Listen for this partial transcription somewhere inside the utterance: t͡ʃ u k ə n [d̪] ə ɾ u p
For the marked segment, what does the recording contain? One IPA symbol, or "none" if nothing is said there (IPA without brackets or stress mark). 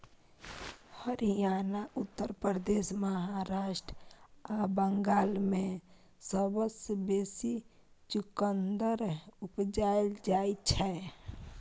d̪